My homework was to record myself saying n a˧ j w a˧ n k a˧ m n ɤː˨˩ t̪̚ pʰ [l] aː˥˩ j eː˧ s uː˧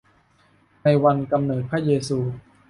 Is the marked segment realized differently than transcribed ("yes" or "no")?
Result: yes